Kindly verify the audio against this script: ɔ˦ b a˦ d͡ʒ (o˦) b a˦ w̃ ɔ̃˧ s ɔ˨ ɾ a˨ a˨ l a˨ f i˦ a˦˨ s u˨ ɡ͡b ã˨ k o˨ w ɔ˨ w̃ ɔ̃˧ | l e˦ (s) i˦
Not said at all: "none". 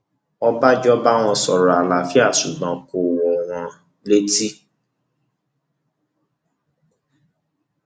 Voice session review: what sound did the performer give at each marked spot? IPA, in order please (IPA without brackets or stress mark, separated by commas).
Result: ɔ˦, t